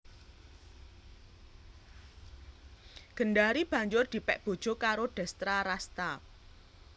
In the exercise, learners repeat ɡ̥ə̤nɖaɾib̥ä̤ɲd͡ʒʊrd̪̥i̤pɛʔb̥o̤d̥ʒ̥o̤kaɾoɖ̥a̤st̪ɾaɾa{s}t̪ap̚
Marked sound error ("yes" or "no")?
no